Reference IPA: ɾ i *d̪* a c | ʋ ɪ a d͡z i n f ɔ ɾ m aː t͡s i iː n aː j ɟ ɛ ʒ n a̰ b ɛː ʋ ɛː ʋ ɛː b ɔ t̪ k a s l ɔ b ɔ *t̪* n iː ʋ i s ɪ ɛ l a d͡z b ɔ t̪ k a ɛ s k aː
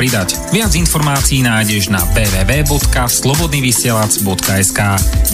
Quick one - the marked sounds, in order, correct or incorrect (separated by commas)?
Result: correct, incorrect